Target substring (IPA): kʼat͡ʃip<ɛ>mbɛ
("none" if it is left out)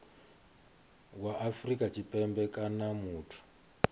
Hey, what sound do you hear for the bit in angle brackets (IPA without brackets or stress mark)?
ɛ